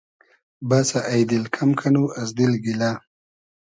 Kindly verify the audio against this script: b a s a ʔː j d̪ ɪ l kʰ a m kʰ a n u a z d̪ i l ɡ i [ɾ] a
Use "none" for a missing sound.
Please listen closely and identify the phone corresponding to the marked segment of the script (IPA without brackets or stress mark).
l